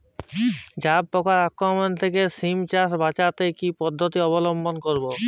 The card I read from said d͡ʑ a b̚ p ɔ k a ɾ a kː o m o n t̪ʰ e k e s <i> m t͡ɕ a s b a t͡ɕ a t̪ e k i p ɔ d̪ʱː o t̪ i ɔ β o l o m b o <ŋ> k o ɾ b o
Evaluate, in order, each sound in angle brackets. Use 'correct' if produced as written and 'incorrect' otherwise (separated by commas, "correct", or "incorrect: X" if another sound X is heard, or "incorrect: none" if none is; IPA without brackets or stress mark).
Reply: correct, incorrect: n